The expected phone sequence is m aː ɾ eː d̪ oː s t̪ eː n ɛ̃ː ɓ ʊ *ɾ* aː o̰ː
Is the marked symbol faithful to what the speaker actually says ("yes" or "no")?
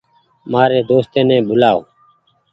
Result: no